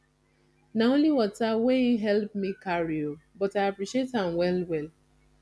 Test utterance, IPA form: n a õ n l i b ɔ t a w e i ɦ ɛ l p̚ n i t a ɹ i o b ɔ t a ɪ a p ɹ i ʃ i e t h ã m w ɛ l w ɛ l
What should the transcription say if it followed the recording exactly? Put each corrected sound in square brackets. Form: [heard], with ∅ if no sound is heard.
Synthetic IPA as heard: n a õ n l i [w] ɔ t a w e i ɦ ɛ l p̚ [m] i [k] a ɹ i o b ɔ t a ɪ a p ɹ i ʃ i e t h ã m w ɛ l w ɛ l